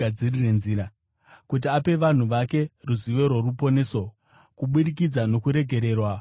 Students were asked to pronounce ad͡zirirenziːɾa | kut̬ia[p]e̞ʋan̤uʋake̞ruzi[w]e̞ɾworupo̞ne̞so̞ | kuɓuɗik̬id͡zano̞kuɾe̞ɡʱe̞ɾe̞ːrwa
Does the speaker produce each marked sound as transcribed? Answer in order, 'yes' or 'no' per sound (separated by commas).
yes, no